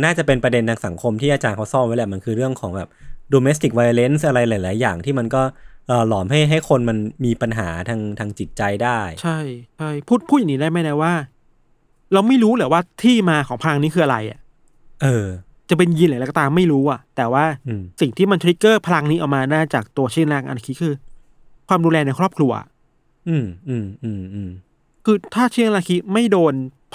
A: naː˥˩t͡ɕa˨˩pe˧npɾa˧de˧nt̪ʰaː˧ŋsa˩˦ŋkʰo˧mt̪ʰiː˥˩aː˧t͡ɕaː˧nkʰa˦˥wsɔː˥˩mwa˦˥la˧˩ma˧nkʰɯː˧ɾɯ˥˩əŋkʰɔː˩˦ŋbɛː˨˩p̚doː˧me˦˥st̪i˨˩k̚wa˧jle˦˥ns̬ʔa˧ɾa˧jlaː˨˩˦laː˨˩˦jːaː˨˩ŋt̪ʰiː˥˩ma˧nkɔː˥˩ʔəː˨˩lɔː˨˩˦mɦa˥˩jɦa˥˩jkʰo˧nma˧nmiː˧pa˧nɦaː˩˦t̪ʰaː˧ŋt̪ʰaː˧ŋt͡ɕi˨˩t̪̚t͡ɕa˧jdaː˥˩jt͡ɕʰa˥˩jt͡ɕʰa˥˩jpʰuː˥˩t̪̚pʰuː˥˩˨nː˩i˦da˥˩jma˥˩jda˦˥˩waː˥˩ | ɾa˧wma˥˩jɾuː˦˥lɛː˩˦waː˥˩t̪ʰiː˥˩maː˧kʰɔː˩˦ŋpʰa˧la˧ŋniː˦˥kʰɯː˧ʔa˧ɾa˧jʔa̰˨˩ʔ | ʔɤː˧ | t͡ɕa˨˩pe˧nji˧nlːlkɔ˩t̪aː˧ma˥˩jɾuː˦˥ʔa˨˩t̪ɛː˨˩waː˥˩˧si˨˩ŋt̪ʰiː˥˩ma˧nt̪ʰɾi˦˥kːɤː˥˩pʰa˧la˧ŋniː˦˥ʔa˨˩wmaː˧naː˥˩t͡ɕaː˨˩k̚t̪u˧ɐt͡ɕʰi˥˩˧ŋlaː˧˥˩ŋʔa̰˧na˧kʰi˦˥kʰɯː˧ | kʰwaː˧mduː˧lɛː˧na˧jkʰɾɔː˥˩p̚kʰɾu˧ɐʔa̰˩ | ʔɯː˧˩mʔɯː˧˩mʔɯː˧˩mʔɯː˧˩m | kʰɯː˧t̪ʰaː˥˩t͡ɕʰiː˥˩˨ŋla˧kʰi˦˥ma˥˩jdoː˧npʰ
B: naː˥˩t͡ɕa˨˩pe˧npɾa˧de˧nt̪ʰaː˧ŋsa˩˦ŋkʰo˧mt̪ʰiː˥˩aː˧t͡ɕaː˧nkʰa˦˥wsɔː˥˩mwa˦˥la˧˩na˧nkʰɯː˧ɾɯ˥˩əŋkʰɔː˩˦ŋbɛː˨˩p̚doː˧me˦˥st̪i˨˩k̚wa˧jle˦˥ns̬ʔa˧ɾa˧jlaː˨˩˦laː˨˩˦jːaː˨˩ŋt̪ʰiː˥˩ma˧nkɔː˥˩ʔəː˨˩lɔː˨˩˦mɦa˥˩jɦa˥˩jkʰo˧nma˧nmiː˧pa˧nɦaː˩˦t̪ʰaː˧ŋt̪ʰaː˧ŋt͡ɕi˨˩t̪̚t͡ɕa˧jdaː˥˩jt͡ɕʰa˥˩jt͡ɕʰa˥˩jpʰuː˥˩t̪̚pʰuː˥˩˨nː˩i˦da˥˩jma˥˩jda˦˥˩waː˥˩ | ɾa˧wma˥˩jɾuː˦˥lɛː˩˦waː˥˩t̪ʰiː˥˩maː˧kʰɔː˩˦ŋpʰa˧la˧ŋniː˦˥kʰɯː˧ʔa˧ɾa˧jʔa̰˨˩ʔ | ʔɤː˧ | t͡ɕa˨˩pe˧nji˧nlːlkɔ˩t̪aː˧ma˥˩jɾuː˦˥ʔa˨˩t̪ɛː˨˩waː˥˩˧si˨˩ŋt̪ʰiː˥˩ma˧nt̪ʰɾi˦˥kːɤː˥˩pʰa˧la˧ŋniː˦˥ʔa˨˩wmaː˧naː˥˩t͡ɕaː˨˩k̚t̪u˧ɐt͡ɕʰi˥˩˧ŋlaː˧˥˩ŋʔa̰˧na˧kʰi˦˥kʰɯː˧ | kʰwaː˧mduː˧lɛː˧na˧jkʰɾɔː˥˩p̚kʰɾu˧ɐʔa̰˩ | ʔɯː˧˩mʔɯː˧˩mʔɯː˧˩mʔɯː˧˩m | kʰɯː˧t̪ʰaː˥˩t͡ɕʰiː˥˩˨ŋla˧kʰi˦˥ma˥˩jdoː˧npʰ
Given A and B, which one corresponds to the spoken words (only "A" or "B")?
A